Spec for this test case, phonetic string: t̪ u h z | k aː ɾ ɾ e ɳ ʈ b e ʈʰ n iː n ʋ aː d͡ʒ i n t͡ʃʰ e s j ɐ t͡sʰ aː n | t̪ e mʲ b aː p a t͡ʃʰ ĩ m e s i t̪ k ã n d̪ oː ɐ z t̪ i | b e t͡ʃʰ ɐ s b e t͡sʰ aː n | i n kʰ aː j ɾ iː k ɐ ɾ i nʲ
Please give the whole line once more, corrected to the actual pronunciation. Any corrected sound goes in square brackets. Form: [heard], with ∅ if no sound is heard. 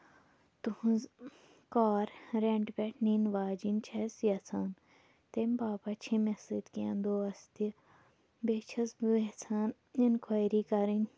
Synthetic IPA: t̪ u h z | k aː ɾ ɾ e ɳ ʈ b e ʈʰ n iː n ʋ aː d͡ʒ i n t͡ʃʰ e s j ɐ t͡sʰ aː n | t̪ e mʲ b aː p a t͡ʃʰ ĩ m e s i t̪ k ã n d̪ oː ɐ [s] t̪ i | b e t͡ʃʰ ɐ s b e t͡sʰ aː n | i n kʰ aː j ɾ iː k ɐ ɾ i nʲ